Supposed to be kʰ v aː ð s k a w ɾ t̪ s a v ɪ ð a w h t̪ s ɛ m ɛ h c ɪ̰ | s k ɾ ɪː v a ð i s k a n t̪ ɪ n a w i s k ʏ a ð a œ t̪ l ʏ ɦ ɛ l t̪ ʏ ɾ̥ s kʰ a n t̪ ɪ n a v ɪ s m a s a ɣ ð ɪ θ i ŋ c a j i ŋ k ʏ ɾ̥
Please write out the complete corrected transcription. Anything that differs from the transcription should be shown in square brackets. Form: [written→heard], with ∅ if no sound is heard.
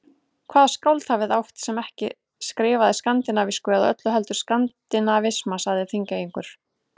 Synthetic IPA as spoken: kʰ v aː ð s k a w [ɾ→l] t̪ [s→h] a v ɪ ð a w h t̪ s ɛ m ɛ h c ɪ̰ | s k ɾ ɪː v a ð [i→ɪ] s k a n t̪ ɪ n a [w→v] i s k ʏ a ð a œ t̪ l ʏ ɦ ɛ l t̪ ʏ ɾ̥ s [kʰ→k] a n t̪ ɪ n a v ɪ s m a s a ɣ ð ɪ θ i ŋ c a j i ŋ k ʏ ɾ̥

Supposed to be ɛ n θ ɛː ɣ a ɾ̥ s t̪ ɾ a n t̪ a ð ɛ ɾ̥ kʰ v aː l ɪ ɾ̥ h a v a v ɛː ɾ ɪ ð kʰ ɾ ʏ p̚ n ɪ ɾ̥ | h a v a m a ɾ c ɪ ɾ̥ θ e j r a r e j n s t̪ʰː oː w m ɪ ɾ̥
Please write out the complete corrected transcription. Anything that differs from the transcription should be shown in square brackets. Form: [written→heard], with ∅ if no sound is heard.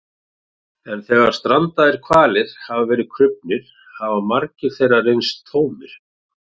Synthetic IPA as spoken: ɛ n θ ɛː ɣ a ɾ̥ s t̪ ɾ a n t̪ a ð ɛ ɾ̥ kʰ v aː l ɪ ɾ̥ h a v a v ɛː ɾ ɪ ð kʰ ɾ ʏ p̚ n ɪ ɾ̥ | h a v a m a ɾ c ɪ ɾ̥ θ e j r a r e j n s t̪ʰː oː w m ɪ ɾ̥

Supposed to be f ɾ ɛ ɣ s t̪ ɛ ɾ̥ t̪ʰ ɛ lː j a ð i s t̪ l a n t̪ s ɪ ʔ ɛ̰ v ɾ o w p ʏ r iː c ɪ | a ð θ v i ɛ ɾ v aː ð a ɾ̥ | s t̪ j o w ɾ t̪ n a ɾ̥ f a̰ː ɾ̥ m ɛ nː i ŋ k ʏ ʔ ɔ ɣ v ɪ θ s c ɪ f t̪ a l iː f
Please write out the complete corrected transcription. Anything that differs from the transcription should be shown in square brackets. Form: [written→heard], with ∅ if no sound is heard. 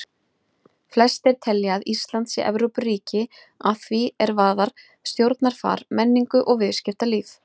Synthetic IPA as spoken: f [ɾ→l] ɛ [ɣ→∅] s t̪ ɛ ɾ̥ t̪ʰ ɛ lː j a ð i s t̪ l a n t̪ s ɪ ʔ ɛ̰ v ɾ o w p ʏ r iː c ɪ | a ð θ v i ɛ ɾ v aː ð a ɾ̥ | s t̪ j o w ɾ t̪ n a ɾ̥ f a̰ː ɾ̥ m ɛ nː i ŋ k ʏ ʔ ɔ ɣ v ɪ [θ→ð] s c ɪ f t̪ a l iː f

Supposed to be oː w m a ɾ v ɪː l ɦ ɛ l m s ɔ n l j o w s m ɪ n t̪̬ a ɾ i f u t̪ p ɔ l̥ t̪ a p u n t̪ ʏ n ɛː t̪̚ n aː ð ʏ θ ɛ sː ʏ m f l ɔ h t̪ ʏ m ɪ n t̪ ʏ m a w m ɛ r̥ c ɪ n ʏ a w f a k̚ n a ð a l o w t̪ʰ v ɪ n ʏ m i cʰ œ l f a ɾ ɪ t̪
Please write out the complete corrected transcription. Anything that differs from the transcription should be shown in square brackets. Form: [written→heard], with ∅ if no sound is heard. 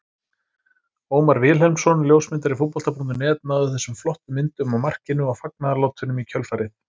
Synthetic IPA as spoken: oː w m a ɾ v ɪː l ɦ ɛ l m s ɔ n l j o w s m ɪ n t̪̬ a ɾ i f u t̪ p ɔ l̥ t̪ a p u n t̪ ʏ n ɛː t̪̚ n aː ð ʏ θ ɛ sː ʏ m f l ɔ h t̪ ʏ m ɪ n t̪ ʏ m a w m [ɛ→a] r̥ c ɪ n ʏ a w f a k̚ n a ð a l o w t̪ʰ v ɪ n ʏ m i cʰ œ l f a ɾ ɪ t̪

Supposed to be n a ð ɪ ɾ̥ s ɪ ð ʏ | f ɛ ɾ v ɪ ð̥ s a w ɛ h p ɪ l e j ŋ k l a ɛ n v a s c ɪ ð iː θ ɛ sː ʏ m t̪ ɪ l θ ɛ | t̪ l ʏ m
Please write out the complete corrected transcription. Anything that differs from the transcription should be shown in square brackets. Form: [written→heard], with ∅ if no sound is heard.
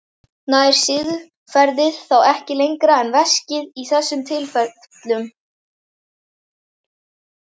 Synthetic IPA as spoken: n a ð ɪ ɾ̥ s ɪ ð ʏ | f ɛ ɾ [v→ð] ɪ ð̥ [s→θ] a w ɛ h [p→c] ɪ l e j ŋ k [l→ɾ] a ɛ n v [a→ɛ] s c ɪ ð [iː→i] θ ɛ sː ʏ m [t̪→t̪ʰ] ɪ l [θ→f] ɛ | t̪ l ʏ m

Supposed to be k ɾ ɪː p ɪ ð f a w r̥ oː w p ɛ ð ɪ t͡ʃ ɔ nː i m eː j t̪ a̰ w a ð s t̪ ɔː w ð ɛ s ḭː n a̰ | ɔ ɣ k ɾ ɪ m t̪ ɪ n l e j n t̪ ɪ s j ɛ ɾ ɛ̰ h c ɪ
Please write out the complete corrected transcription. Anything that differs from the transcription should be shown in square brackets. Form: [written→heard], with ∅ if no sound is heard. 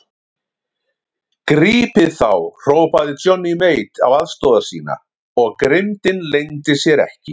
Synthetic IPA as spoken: k ɾ [ɪː→iː] p ɪ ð [f→θ] a w r̥ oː w p [ɛ→a] ð ɪ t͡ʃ ɔ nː i m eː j t̪ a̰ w a ð s t̪ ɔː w ð [ɛ→a] s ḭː n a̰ | ɔ ɣ k ɾ ɪ m t̪ ɪ n l e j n t̪ ɪ s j ɛ ɾ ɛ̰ h c ɪ

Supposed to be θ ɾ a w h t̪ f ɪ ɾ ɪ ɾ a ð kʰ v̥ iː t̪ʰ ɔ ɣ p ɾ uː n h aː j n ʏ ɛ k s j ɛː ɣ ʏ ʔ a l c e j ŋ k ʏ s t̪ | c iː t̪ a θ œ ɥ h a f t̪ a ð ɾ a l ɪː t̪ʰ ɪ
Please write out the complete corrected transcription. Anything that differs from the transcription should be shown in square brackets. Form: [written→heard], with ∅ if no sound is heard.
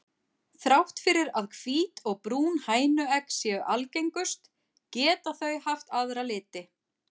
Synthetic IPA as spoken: θ ɾ a w h t̪ f ɪ ɾ ɪ ɾ a ð kʰ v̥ iː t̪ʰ ɔ ɣ p ɾ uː n h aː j n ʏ ɛ k s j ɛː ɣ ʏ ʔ a l c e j ŋ k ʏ s t̪ | c [iː→ɛː] t̪ a θ œ ɥ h a f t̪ a ð ɾ a l ɪː [t̪ʰ→t̪] ɪ

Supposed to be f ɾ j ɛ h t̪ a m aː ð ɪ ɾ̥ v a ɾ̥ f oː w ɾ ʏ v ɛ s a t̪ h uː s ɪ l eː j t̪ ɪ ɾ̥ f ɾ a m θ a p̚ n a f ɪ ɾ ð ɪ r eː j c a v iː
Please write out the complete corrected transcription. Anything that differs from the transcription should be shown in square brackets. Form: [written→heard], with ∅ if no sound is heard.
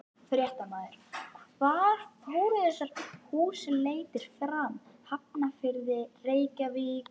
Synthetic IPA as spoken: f ɾ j ɛ h t̪ a m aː ð ɪ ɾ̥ v a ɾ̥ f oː w ɾ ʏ [v→ð] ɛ s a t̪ h uː s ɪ l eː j t̪ ɪ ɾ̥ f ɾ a m [θ→h] a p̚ n a f ɪ ɾ ð ɪ r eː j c a v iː

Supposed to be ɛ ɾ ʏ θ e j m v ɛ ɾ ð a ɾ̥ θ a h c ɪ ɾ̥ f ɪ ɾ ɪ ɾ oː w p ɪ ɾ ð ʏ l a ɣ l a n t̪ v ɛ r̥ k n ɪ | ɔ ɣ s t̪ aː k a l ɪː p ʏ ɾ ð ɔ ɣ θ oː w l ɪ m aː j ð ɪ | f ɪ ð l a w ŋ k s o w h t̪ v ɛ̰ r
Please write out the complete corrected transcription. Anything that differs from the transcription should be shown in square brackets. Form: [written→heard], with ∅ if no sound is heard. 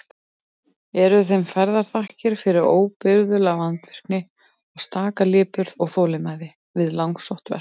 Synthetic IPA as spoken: ɛ ɾ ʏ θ e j m [v→f] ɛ ɾ ð a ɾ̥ θ a h c ɪ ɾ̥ f ɪ ɾ ɪ ɾ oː w p ɪ ɾ ð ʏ l a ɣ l a n t̪ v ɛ r̥ k n ɪ | ɔ ɣ s t̪ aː k a l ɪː p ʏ ɾ ð ɔ ɣ θ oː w l ɪ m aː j ð ɪ | [f→v] ɪ ð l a w ŋ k s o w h t̪ v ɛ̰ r

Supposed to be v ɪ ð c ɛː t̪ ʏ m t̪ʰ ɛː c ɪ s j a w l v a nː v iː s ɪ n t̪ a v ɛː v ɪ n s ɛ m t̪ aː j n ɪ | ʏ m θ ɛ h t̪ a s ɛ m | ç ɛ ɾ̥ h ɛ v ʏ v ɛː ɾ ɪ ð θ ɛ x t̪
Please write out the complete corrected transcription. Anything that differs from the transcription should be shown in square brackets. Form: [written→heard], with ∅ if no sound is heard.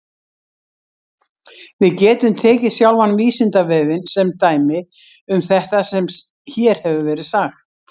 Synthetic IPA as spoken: v ɪ ð c ɛː t̪ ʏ m t̪ʰ ɛː c ɪ s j a w l v a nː v iː s ɪ n t̪ a v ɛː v ɪ n s ɛ m t̪ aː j [n→m] ɪ | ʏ m θ ɛ h t̪ a s ɛ m | ç ɛ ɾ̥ h ɛ v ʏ v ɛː ɾ ɪ ð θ [ɛ→a] x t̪

